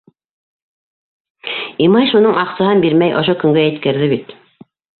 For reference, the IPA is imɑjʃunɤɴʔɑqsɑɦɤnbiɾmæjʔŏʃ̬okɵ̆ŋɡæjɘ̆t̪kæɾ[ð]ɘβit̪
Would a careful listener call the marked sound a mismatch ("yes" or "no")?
no